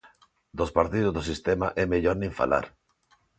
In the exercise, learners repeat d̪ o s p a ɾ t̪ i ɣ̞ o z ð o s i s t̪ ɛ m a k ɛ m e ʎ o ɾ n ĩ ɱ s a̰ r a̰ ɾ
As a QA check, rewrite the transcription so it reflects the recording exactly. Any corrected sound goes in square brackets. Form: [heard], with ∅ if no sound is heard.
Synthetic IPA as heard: d̪ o s p a ɾ t̪ i [ð̞] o z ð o s i s t̪ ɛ m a [ʔ] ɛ m e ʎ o ɾ n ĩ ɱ [f] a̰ [l] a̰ ɾ